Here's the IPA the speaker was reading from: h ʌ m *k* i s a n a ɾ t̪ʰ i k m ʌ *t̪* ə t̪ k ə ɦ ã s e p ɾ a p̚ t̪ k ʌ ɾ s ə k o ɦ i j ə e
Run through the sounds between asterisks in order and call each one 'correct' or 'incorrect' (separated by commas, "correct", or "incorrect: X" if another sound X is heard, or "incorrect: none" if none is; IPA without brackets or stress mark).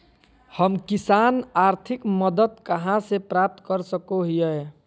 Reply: correct, incorrect: d̪